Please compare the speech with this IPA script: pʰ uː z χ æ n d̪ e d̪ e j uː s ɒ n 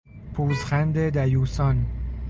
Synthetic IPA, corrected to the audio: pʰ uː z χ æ n d̪ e d̪ æ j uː s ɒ n